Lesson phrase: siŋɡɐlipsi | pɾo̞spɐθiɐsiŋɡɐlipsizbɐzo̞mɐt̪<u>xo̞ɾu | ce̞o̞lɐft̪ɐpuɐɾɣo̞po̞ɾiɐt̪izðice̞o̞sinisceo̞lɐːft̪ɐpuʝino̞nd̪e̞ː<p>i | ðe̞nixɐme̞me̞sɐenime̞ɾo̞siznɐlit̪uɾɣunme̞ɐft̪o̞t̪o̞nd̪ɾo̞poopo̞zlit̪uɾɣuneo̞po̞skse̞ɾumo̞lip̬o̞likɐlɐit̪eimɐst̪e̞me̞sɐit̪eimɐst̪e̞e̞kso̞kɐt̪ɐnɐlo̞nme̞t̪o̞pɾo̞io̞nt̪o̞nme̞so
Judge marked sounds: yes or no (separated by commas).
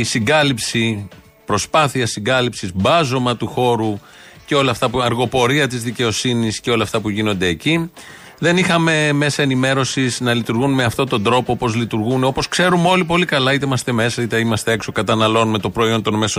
yes, no